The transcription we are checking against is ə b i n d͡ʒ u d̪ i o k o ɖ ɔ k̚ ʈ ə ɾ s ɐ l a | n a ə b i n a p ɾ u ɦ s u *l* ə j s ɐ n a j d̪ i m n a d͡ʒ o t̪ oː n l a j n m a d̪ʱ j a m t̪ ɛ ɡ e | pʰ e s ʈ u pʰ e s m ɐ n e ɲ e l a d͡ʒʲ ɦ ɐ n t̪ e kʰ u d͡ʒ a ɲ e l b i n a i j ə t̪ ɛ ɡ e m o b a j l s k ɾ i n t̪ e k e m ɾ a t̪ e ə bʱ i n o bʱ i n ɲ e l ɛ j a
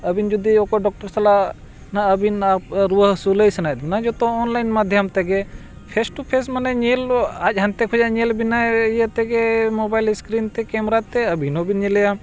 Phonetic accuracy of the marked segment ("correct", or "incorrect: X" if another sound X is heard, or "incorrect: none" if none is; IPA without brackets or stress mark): correct